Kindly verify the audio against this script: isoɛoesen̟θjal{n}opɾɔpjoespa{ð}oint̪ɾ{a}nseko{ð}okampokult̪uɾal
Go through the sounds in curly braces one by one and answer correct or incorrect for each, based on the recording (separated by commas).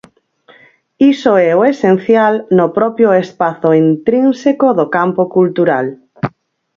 correct, incorrect, incorrect, correct